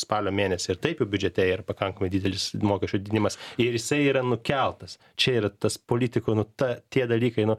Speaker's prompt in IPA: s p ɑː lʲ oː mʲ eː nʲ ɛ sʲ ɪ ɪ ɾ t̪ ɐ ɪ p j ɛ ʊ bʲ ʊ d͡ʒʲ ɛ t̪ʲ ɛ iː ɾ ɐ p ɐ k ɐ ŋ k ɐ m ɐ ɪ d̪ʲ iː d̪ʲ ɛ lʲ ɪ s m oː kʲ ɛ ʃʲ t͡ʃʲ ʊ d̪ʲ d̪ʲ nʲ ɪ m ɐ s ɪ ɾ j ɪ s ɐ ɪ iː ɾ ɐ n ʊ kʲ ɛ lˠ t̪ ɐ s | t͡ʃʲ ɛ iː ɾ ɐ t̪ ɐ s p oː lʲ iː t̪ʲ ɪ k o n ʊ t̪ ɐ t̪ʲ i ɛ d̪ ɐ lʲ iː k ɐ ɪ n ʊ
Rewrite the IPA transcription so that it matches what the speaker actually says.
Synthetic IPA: s p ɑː lʲ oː mʲ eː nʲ ɛ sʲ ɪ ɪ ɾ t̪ ɐ ɪ p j ɛ ʊ bʲ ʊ d͡ʒʲ ɛ t̪ʲ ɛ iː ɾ ɐ p ɐ k ɐ ŋ k ɐ m ɐ ɪ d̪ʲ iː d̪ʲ ɛ lʲ ɪ s m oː kʲ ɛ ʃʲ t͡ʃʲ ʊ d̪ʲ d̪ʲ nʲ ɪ m ɐ s ɪ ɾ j ɪ s ɐ ɪ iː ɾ ɐ n ʊ kʲ ɛ lˠ t̪ ɐ s | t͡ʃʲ ɛ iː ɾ ɐ t̪ ɐ s p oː lʲ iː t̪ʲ ɪ k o n ʊ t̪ ɐ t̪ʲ i ɛ d̪ ɐ lʲ iː k ɐ ɪ n ʊ